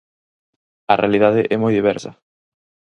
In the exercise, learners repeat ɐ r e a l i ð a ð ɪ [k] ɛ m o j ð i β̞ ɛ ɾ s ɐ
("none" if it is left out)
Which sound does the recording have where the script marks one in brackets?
ʔ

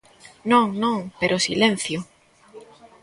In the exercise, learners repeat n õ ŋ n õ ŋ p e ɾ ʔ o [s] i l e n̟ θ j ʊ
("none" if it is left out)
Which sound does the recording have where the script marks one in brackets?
s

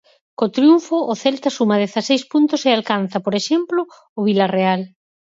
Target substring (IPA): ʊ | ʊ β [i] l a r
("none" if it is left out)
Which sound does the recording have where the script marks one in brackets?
i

